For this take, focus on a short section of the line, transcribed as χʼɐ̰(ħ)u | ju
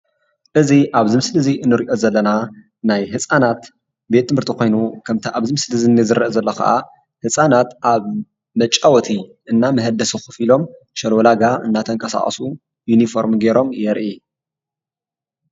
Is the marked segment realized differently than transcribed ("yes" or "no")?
yes